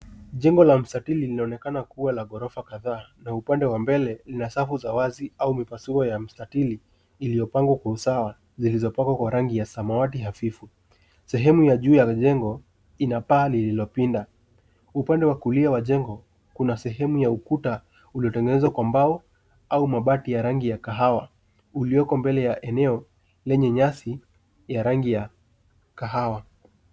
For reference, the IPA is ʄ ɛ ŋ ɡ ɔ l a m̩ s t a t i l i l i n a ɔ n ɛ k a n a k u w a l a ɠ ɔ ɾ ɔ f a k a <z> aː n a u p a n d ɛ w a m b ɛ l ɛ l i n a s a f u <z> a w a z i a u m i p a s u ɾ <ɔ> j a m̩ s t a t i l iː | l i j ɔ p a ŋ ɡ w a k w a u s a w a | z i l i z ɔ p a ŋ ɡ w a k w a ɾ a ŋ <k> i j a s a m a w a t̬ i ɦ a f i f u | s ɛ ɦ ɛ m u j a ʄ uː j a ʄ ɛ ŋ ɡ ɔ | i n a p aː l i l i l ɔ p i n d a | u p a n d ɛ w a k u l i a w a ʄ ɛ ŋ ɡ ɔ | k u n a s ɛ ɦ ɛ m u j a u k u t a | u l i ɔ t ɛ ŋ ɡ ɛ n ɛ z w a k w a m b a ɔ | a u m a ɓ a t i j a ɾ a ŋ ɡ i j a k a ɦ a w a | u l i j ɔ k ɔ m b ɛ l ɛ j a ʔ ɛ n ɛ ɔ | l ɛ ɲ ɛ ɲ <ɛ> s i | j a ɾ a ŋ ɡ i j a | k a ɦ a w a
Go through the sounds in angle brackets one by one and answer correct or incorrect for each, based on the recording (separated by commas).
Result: incorrect, correct, correct, incorrect, incorrect